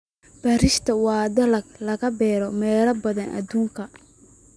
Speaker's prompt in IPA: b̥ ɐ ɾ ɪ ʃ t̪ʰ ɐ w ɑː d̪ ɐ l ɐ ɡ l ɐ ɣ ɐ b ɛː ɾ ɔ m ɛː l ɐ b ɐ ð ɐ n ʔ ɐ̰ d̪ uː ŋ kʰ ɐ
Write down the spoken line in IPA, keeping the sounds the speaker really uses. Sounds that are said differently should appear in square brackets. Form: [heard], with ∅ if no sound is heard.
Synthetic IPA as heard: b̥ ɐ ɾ ɪ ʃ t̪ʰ ɐ w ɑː d̪ ɐ l ɐ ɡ l ɐ ɣ ɐ b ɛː ɾ ɔ m ɛː l ɐ b ɐ ð ɐ n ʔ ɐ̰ d̪ uː ŋ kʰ ɐ